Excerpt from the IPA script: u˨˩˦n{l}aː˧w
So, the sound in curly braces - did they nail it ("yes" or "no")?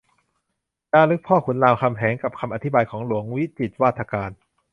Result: yes